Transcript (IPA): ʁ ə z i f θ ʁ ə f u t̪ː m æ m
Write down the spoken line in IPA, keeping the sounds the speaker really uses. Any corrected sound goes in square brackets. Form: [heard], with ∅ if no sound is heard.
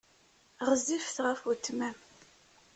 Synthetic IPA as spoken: ʁ ə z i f θ ʁ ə f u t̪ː m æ m